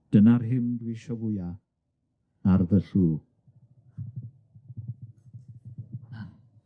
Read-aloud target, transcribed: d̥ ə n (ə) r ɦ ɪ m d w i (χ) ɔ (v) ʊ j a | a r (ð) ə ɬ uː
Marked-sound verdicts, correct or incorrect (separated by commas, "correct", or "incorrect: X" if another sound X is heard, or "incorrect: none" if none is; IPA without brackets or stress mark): incorrect: a, incorrect: ʃ, correct, correct